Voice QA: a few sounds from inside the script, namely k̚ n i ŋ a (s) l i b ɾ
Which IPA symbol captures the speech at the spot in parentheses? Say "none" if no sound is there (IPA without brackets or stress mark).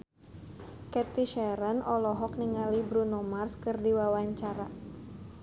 none